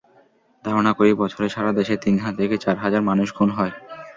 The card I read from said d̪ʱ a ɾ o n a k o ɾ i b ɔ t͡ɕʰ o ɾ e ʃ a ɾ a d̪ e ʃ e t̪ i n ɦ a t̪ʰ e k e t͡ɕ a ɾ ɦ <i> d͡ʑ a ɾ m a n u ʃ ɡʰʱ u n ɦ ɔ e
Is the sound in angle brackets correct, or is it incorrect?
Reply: incorrect